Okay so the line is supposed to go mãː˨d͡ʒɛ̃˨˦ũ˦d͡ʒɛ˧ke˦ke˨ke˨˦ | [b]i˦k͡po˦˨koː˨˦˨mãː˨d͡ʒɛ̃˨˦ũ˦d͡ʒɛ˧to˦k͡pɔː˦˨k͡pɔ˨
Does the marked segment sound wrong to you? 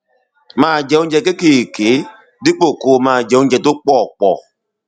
yes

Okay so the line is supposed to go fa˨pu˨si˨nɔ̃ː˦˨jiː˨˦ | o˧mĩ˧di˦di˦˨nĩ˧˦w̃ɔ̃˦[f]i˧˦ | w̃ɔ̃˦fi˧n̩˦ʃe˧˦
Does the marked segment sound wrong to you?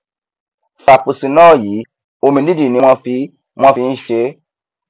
no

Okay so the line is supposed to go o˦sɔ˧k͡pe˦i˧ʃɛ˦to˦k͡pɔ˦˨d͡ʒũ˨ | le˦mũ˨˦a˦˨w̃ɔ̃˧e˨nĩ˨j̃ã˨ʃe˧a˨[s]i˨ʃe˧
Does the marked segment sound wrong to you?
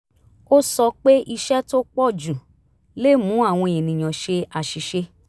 yes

